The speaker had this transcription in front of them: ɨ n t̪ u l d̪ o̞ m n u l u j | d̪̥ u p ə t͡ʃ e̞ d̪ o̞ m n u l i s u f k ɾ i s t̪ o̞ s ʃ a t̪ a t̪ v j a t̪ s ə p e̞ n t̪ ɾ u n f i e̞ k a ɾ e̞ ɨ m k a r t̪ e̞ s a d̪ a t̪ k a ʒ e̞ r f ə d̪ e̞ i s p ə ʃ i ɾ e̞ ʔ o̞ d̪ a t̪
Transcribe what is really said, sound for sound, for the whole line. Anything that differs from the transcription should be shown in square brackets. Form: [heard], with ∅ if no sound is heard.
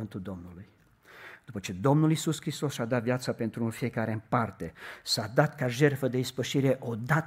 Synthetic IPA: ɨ n t̪ u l d̪ o̞ m n u l u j | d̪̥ u p ə t͡ʃ e̞ d̪ o̞ m n u l i s u [s] k ɾ i s t̪ o̞ s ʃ a [d̪] a t̪ v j a t̪ s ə p e̞ n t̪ ɾ u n f i e̞ k a ɾ e̞ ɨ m [p] a r t̪ e̞ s a d̪ a t̪ k a ʒ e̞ r f ə d̪ e̞ i s p ə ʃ i ɾ e̞ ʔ o̞ d̪ a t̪